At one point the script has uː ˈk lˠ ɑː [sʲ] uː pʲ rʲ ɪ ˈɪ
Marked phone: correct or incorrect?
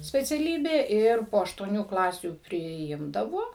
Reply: correct